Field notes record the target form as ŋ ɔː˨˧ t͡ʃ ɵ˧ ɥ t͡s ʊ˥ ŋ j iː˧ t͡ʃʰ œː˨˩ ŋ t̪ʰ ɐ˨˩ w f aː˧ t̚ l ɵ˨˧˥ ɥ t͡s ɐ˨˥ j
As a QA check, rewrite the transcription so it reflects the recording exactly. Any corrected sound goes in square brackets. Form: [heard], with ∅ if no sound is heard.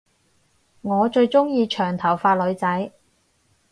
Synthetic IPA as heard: ŋ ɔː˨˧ t͡ʃ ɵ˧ ɥ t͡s ʊ˥ ŋ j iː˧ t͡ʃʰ œː˨˩ ŋ t̪ʰ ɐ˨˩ w f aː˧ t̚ l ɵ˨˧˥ ɥ t͡s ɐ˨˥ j